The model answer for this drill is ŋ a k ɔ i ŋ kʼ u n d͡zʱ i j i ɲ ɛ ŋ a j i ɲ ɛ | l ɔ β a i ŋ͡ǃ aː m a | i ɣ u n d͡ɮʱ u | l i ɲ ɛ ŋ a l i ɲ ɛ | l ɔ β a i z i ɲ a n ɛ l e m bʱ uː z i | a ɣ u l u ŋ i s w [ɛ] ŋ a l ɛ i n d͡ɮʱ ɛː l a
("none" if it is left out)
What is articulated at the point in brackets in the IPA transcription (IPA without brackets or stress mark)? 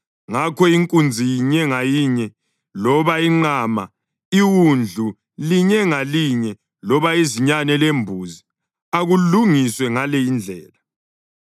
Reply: ɛ